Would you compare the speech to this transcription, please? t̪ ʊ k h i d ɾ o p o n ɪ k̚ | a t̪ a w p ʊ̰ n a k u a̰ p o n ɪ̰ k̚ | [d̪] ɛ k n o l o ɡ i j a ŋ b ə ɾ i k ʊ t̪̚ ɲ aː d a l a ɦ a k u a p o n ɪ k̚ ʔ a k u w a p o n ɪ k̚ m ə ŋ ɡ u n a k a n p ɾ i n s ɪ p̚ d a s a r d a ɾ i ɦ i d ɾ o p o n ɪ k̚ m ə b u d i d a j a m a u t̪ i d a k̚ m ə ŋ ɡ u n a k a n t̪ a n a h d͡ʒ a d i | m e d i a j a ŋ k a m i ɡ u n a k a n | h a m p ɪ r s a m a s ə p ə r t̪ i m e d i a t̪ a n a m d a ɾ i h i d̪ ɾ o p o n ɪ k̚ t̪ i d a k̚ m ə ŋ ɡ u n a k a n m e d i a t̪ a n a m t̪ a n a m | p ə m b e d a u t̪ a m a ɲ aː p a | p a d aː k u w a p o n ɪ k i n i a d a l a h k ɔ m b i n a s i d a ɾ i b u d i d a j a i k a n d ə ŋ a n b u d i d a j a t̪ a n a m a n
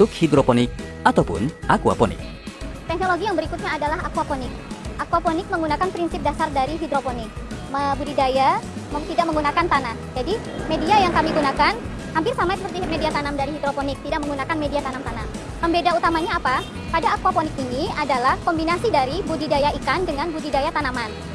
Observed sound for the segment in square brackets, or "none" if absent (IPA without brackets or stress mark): t̪